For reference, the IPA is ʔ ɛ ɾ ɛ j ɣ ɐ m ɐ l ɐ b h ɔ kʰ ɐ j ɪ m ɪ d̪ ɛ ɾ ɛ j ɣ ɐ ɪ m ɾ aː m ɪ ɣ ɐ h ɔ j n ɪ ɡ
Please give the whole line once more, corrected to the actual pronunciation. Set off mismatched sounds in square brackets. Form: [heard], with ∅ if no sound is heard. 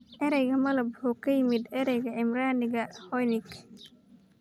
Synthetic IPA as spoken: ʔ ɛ ɾ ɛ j ɣ ɐ m ɐ l ɐ b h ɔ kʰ ɐ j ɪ m ɪ d̪ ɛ ɾ ɛ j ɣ ɐ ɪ m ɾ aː [n] ɪ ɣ ɐ h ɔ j n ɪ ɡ